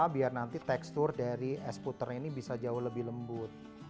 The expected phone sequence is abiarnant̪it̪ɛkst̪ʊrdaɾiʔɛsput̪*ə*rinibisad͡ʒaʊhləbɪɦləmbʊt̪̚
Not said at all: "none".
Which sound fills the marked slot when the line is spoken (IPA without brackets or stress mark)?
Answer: ə